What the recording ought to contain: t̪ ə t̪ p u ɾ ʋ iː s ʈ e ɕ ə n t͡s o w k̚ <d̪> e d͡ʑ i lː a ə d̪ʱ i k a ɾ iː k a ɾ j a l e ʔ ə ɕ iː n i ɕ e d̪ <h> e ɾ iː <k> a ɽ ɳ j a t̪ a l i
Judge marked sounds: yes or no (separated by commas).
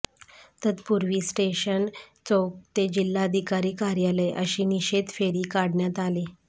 no, no, yes